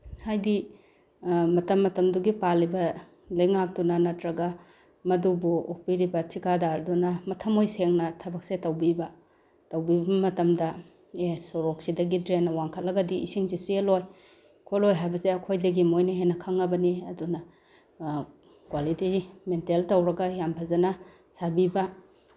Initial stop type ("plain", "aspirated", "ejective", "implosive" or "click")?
plain